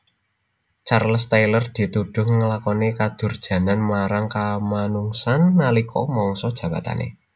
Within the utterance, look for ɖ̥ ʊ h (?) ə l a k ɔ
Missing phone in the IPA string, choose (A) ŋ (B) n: A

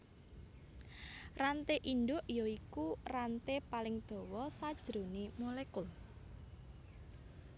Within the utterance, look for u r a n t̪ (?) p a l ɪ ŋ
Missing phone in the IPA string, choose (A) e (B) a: A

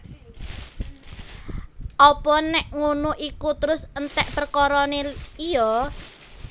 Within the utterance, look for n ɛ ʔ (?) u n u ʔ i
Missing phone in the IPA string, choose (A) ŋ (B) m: A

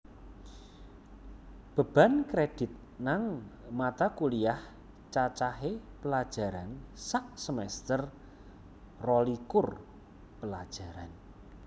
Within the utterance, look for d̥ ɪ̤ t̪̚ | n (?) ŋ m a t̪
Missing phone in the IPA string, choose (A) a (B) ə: A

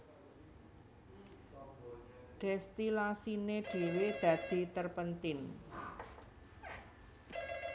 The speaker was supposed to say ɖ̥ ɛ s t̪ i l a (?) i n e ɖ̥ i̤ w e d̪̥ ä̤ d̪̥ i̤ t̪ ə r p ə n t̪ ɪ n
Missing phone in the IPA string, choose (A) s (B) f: A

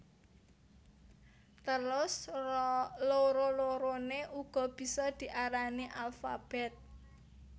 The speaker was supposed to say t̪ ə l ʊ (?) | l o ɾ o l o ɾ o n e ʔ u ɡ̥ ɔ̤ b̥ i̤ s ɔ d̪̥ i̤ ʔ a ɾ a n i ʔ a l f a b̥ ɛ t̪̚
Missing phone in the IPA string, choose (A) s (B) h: A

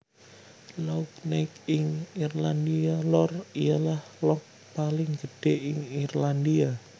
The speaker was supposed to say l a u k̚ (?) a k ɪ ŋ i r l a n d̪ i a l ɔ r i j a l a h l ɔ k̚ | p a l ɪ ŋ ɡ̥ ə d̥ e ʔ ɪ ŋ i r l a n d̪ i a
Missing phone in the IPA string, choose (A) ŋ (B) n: B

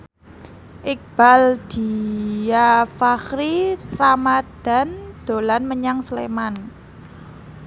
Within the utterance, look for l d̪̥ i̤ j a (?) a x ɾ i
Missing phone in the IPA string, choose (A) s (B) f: B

